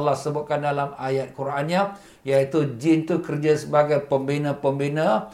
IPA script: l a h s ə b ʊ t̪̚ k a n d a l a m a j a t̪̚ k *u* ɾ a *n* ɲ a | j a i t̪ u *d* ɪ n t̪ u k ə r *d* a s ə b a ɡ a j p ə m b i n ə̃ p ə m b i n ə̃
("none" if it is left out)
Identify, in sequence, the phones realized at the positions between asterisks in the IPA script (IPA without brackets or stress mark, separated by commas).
u, n, d͡ʒ, d͡ʒ